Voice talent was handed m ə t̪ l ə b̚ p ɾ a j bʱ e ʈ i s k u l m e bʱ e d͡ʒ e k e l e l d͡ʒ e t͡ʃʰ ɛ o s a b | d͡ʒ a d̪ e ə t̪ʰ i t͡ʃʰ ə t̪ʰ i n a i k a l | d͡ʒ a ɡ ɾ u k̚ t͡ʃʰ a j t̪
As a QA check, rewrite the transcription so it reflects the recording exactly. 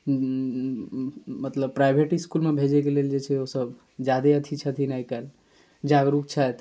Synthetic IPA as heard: m ə t̪ l ə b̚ p ɾ a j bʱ e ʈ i s k u l m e bʱ e d͡ʒ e k e l e l d͡ʒ e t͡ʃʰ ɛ o s ə b | d͡ʒ a d̪ e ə t̪ʰ i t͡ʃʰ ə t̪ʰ i n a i k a l | d͡ʒ a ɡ ɾ u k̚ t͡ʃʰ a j t̪